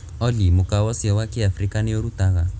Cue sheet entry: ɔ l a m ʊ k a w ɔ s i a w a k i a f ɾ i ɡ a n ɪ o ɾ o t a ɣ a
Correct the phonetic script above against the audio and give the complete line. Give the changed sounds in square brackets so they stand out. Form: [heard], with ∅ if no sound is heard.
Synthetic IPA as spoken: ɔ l [i] m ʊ k a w ɔ s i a w a k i a f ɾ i [k] a n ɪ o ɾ [u] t a ɣ a